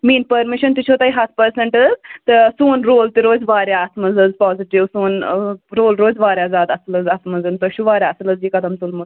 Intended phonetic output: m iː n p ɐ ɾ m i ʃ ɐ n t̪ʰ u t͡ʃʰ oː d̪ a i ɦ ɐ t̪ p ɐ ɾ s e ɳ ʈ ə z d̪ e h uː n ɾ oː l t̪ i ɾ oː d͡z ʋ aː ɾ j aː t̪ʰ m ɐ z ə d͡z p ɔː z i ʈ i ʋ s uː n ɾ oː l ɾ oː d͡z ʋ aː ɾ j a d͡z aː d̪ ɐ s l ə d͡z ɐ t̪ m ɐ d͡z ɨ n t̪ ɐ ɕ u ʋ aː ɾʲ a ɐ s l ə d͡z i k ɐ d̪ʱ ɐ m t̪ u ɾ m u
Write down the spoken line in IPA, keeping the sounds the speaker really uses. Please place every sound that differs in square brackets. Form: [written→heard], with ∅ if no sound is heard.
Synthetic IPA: m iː n p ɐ ɾ m i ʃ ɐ n [t̪ʰ→t̪] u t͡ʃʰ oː [d̪→t̪] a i ɦ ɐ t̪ p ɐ ɾ s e ɳ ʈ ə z [d̪→t̪] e [h→s] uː n ɾ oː l t̪ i ɾ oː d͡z ʋ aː ɾ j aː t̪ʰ m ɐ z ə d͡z p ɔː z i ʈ i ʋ s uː n ɾ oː l ɾ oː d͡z ʋ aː ɾ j a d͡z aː d̪ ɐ s l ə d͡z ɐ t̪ m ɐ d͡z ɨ n t̪ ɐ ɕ u ʋ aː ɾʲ a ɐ s l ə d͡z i k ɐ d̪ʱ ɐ m t̪ u [ɾ→l] m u